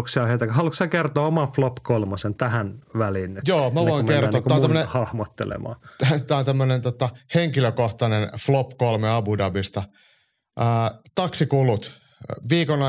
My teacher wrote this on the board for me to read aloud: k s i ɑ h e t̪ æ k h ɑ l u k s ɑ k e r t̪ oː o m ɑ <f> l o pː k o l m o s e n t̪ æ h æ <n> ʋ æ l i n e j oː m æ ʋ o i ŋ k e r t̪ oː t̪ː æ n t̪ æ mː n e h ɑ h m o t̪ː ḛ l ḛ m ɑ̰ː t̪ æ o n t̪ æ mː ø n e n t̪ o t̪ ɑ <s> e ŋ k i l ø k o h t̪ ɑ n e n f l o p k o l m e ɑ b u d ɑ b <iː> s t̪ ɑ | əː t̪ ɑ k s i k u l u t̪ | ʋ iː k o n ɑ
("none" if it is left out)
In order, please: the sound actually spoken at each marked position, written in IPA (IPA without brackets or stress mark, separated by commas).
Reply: f, n, h, i